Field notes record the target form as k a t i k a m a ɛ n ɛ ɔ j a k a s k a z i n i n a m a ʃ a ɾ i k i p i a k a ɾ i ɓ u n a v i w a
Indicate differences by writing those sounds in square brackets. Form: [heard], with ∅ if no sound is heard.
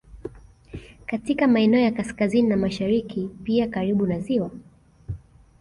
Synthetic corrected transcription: k a t i k a m a ɛ n ɛ ɔ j a k a s k a z i n i n a m a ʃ a ɾ i k i p i a k a ɾ i ɓ u n a [z] i w a

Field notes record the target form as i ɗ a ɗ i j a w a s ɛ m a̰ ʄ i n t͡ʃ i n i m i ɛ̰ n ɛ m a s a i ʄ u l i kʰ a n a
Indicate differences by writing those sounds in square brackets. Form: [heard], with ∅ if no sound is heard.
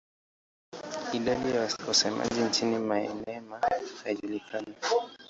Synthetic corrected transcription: i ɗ a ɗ i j a w a s ɛ m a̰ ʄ i n t͡ʃ i n i m [a] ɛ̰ n ɛ m a [h] a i ʄ u l i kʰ a n a

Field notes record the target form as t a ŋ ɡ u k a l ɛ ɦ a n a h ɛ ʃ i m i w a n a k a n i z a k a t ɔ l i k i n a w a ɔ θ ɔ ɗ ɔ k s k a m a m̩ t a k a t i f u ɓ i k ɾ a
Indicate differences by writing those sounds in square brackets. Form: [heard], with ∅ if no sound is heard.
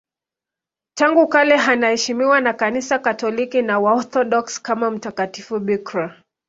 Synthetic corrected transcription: t a ŋ ɡ u k a l ɛ ɦ a n a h ɛ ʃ i m i w a n a k a n i [s] a k a t ɔ l i k i n a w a ɔ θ ɔ ɗ ɔ k s k a m a m̩ t a k a t i f u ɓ i k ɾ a

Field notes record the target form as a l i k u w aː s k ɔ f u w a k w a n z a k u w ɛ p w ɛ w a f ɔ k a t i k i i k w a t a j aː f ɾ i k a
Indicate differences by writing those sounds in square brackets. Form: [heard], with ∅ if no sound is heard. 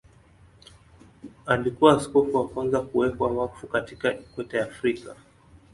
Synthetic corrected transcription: a l i k u w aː s k ɔ f u w a k w a n z a k u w ɛ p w [a] w a f [u] k a t i k [a] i k w [ɛ] t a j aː f ɾ i k a

